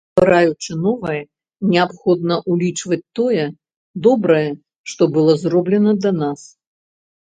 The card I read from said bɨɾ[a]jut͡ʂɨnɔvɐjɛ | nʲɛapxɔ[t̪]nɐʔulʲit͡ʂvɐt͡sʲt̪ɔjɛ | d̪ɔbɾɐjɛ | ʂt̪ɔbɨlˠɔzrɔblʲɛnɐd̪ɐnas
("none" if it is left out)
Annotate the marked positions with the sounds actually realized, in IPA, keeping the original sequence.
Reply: a, d̪

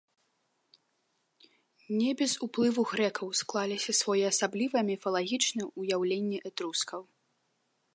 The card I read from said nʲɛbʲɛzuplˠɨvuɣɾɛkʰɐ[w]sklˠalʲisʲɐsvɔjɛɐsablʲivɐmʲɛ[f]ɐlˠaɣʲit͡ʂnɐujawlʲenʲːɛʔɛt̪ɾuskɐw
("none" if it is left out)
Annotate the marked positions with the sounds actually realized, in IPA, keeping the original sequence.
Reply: w, f

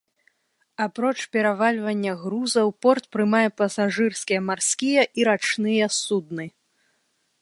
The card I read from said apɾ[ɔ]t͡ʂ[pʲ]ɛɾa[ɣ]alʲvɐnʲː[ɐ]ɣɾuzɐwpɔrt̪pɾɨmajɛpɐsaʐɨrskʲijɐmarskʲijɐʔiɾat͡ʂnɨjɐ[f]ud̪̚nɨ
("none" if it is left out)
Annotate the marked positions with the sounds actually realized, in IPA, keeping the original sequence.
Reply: ɔ, pʲ, v, ɐ, s

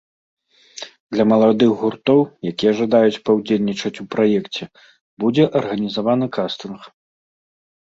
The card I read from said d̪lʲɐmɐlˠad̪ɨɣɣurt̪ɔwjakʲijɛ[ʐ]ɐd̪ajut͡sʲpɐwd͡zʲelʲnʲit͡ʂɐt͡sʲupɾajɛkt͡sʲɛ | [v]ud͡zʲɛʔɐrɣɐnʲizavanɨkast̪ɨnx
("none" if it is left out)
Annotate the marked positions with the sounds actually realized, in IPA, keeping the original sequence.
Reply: ʐ, b

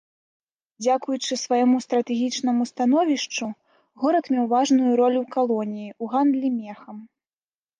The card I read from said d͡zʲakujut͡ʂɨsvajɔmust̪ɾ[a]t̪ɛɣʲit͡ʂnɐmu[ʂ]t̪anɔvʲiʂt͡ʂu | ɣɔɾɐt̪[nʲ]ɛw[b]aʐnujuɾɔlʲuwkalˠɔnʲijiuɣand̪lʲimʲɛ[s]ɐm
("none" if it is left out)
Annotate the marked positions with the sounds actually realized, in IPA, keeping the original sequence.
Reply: ɐ, s, mʲ, v, x

